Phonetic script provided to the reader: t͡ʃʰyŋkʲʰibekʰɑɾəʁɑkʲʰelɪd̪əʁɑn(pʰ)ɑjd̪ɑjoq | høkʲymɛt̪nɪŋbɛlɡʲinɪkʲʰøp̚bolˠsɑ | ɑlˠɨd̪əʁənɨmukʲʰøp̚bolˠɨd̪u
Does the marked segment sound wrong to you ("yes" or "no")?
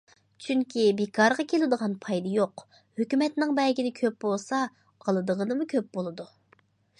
no